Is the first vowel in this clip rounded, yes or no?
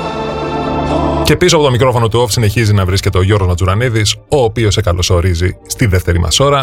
no